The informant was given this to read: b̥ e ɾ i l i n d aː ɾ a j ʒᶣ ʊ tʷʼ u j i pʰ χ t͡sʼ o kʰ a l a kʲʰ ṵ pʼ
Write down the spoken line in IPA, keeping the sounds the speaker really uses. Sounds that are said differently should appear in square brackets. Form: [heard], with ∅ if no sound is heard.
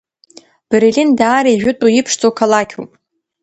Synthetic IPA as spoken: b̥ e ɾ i l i n d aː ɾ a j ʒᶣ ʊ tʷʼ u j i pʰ [ʂ] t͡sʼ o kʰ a l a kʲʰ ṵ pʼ